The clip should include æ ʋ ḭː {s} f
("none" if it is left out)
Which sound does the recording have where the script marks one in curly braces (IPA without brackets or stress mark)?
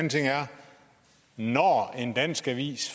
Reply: s